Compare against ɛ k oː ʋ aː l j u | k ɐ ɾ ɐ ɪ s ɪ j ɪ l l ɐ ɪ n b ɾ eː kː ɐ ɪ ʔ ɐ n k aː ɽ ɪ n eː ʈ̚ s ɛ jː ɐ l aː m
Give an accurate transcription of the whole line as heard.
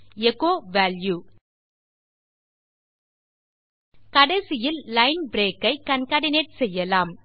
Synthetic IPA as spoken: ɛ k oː ʋ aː l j u | k ɐ ɽ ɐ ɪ s ɪ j ɪ l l ɐ ɪ n b ɾ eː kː ɐ ɪ k ɐ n k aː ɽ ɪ n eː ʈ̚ s ɛ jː ɐ l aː m